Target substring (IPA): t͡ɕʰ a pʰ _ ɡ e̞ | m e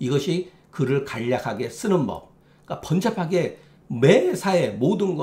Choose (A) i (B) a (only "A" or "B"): B